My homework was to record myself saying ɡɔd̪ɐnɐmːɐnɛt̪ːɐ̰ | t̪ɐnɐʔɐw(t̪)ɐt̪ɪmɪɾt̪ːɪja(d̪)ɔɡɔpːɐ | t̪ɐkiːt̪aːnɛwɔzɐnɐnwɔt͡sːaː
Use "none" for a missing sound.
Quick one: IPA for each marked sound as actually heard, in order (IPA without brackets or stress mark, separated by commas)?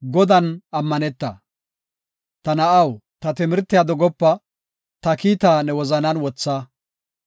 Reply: t̪, d̪